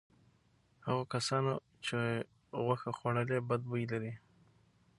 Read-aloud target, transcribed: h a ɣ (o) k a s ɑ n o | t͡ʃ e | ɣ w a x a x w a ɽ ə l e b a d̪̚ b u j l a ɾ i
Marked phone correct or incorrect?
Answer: correct